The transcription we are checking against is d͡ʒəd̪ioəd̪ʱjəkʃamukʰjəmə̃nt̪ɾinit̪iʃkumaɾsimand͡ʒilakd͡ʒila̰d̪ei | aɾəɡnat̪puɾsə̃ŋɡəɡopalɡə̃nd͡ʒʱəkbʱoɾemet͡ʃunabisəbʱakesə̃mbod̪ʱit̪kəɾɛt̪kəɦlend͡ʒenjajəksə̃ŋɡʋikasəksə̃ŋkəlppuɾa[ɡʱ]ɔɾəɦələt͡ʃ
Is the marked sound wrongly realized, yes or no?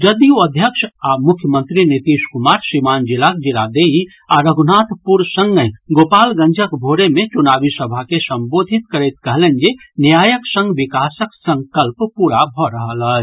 yes